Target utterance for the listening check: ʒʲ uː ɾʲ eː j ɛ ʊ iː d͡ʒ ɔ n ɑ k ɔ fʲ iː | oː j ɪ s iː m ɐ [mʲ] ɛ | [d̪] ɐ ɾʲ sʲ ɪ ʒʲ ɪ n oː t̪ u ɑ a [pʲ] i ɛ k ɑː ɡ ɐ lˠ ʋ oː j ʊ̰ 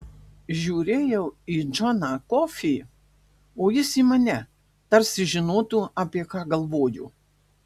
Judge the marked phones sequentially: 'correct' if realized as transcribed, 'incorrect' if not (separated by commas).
incorrect, incorrect, correct